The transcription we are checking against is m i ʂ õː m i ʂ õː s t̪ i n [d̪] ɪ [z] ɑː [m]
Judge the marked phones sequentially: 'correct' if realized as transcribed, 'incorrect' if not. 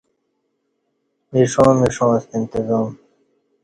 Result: incorrect, correct, correct

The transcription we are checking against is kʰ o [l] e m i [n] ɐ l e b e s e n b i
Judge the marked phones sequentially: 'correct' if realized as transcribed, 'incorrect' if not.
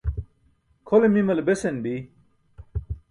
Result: correct, incorrect

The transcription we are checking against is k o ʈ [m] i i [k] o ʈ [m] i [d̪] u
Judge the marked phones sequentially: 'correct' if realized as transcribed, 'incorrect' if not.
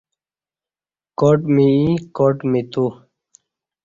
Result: correct, correct, correct, incorrect

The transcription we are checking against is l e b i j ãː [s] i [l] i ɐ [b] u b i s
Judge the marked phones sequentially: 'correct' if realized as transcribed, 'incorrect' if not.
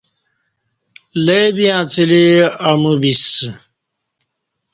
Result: incorrect, correct, incorrect

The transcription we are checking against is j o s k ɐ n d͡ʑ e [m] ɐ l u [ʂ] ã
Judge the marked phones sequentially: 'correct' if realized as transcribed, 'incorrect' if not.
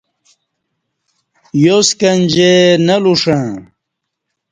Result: incorrect, correct

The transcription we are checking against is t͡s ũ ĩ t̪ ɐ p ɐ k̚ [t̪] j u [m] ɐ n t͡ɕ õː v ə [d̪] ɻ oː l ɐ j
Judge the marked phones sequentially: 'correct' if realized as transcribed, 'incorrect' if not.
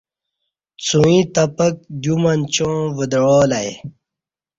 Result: incorrect, correct, correct

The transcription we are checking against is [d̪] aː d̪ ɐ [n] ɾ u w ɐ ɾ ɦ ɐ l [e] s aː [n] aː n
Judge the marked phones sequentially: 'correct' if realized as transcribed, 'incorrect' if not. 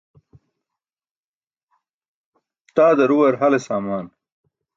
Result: incorrect, incorrect, correct, incorrect

